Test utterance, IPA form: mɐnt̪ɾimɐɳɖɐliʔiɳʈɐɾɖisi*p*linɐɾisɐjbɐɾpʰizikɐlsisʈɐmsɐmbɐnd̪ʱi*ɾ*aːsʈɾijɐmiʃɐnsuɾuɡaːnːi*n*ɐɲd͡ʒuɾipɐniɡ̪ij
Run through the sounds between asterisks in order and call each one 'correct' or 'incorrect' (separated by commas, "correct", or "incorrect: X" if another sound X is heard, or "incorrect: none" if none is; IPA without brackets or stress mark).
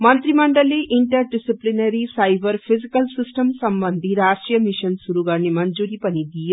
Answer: correct, correct, incorrect: m